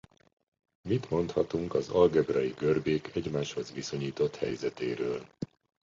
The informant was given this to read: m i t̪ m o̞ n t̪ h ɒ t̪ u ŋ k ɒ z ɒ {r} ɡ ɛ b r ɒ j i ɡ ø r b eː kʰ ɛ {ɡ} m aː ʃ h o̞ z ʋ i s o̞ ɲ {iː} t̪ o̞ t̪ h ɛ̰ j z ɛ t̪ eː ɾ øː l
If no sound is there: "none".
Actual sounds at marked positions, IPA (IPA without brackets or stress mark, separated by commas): l, ɟ, iː